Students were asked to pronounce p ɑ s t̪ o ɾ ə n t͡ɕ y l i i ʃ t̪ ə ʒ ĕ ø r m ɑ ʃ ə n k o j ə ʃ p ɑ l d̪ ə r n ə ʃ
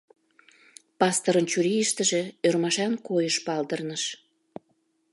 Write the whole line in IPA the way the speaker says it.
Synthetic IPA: p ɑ s t̪ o ɾ ə n t͡ɕ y ɾ i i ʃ t̪ ə ʒ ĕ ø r m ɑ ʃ ɑ n k o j ə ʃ p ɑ l d̪ ə r n ə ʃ